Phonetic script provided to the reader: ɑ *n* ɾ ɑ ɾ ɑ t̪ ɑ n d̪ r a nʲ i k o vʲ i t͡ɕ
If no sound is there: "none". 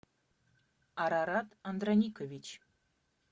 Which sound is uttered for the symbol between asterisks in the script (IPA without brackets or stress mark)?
none